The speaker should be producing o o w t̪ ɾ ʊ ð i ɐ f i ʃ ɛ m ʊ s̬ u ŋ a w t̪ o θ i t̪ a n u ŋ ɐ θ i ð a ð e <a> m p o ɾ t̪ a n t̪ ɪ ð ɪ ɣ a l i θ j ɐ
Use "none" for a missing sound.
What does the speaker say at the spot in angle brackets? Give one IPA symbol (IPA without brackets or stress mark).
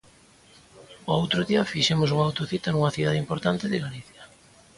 i